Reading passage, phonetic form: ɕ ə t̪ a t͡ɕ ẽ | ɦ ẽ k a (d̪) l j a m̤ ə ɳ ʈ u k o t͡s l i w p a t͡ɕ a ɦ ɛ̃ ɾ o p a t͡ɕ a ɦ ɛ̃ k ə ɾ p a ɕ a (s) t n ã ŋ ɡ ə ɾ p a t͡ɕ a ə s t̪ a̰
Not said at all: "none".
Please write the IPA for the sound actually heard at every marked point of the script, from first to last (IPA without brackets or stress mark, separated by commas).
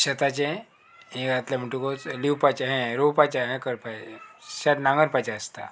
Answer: t̪, none